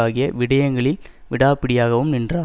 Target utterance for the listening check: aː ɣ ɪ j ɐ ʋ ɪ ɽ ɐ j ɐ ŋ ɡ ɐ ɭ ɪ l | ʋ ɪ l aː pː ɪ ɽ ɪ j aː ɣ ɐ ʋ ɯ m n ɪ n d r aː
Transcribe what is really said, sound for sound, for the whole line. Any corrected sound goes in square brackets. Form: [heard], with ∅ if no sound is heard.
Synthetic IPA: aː ɣ ɪ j ɐ ʋ ɪ ɽ ɐ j ɐ ŋ ɡ ɐ ɭ ɪ l | ʋ ɪ [ɽ] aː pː ɪ ɽ ɪ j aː ɣ ɐ ʋ ɯ m n ɪ n d r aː